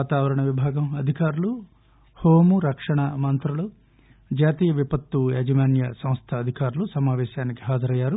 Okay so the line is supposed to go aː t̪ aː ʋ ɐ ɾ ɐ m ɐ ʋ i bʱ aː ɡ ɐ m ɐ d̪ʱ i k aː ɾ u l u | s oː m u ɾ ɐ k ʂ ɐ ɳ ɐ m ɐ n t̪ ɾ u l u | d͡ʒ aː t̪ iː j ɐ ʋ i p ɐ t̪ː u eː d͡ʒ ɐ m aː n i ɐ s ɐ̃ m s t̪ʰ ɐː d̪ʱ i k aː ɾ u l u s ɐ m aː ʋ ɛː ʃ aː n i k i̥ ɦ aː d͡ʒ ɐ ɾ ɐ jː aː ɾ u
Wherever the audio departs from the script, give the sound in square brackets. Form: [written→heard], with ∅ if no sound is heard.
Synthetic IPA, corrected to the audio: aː t̪ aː ʋ ɐ ɾ ɐ [m→ɳ] ɐ ʋ i bʱ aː ɡ ɐ m ɐ d̪ʱ i k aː ɾ u l u | [s→h] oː m u ɾ ɐ k ʂ ɐ ɳ ɐ m ɐ n t̪ ɾ u l u | d͡ʒ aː t̪ iː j ɐ ʋ i p ɐ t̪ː u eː d͡ʒ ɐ m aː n [i→j] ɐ s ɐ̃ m s t̪ʰ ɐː d̪ʱ i k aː ɾ u l u s ɐ m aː ʋ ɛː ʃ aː n i k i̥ ɦ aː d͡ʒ ɐ ɾ ɐ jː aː ɾ u